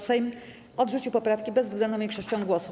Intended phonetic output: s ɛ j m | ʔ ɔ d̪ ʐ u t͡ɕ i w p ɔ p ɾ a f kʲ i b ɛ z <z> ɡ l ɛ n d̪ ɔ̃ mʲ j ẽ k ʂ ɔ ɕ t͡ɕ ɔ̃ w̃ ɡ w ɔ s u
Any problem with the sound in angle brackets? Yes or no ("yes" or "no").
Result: yes